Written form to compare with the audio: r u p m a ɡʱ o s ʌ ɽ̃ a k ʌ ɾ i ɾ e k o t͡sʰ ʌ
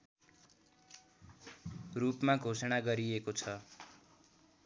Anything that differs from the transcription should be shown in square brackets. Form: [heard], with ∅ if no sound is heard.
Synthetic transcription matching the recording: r u p m a ɡʱ o s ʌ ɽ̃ a [ɡ] ʌ ɾ i [∅] e k o t͡sʰ ʌ